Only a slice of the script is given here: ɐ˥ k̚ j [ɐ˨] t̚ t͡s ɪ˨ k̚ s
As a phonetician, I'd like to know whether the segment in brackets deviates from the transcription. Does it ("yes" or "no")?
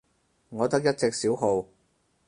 yes